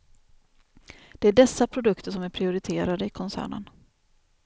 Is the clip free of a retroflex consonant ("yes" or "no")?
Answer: no